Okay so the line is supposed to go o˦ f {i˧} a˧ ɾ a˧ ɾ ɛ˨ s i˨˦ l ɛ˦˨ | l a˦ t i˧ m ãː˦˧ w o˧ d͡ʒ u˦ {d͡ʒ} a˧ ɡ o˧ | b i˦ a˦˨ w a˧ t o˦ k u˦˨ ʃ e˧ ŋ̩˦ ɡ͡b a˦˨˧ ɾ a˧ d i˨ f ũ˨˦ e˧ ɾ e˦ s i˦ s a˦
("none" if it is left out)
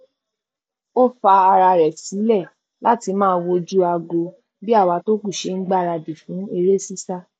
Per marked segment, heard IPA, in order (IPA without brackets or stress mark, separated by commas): a˧, none